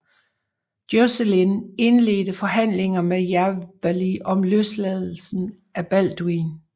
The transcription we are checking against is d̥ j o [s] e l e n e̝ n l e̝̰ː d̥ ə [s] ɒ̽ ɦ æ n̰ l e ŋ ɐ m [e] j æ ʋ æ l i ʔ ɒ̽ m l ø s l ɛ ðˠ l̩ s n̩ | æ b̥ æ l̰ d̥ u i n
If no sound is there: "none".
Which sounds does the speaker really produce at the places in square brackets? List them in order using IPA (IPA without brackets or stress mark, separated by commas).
s, f, e